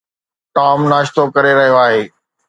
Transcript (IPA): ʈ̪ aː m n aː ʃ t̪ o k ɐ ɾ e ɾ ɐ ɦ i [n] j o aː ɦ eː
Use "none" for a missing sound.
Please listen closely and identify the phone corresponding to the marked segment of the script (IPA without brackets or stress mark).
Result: none